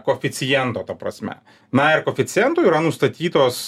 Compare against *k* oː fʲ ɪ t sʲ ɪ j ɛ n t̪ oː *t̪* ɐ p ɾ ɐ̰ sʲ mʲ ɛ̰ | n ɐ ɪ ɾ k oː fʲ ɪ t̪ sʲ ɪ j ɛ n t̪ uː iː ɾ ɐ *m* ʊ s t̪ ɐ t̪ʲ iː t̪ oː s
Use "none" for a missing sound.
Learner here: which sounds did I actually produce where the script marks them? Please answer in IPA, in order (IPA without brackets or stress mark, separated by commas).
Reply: k, t̪, n